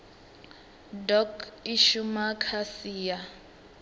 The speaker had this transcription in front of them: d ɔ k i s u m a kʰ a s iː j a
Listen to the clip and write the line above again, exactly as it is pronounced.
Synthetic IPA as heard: d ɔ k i ʃ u m a kʰ a s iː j a